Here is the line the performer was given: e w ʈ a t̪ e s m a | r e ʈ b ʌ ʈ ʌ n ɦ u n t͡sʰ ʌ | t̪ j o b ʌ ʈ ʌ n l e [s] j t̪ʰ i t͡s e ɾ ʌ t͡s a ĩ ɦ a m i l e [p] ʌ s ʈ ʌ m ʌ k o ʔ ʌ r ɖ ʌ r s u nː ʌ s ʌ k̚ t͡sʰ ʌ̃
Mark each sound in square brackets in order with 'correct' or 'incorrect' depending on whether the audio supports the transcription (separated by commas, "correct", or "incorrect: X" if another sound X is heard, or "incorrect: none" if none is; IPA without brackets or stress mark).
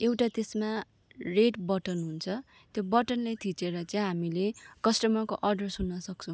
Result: incorrect: none, incorrect: k